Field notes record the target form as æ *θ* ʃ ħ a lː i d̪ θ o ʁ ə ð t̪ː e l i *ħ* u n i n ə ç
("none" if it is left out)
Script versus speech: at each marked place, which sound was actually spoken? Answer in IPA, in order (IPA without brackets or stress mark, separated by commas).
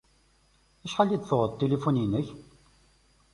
none, f